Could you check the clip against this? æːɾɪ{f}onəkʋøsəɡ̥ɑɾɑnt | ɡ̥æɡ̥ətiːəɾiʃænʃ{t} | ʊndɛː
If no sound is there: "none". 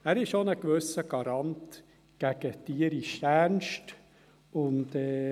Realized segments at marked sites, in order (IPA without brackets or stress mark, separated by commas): ʃ, t